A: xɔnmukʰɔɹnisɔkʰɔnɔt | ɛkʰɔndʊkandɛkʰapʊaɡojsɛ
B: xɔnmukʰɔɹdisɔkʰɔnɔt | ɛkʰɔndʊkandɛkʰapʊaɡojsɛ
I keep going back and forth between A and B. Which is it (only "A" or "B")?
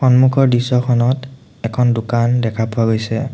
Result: B